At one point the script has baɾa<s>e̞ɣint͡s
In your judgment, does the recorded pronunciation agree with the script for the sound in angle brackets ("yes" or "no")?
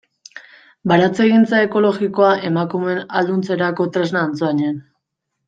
no